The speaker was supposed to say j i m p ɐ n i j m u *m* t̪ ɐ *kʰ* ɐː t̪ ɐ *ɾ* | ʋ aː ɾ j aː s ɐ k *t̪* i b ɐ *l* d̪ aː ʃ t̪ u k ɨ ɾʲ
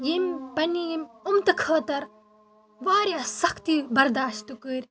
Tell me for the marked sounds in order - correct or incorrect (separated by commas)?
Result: correct, correct, correct, correct, incorrect